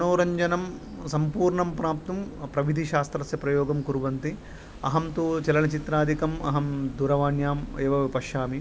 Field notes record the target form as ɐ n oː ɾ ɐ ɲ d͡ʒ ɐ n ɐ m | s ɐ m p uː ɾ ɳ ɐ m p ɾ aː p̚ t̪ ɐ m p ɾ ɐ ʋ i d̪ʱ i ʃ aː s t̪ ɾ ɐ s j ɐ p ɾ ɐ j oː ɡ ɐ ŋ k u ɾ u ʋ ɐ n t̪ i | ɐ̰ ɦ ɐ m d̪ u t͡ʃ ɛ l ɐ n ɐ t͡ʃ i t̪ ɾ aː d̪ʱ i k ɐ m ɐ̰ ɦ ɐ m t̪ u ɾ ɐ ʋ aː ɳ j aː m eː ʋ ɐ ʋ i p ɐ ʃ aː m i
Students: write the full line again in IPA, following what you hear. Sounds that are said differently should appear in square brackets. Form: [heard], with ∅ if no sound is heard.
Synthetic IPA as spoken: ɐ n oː ɾ ɐ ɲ d͡ʒ ɐ n ɐ m | s ɐ m p uː ɾ ɳ ɐ m p ɾ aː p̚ t̪ ɐ m p ɾ ɐ ʋ i d̪ʱ i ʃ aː s t̪ ɾ ɐ s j ɐ p ɾ ɐ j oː ɡ ɐ [m] k u ɾ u ʋ ɐ n t̪ i | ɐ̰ ɦ ɐ m [t̪] u t͡ʃ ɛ l ɐ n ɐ t͡ʃ i t̪ ɾ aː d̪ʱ i k ɐ m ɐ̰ ɦ ɐ m [d̪] u ɾ ɐ ʋ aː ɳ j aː m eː ʋ ɐ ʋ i p ɐ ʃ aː m i